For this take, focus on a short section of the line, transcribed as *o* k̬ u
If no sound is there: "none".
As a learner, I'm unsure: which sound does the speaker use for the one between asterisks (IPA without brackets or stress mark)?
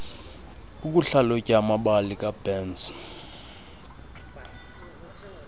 u